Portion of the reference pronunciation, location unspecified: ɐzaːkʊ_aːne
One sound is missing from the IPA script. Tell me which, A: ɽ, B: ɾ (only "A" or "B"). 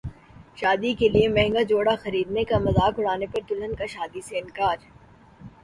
A